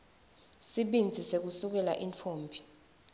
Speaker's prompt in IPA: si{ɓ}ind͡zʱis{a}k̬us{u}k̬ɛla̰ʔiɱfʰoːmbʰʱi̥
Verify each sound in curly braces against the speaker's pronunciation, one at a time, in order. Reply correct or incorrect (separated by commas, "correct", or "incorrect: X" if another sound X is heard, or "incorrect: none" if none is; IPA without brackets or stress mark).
correct, incorrect: e, correct